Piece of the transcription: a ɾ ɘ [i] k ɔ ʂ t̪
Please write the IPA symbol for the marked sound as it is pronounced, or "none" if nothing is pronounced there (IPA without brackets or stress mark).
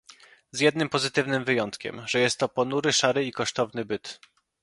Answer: i